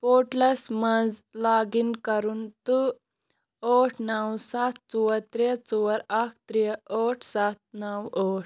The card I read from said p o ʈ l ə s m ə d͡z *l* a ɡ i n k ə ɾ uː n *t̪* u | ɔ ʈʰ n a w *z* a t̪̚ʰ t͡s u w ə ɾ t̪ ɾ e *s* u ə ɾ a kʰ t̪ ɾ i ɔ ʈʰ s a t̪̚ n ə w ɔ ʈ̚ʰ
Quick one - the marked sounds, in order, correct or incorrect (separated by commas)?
correct, correct, incorrect, incorrect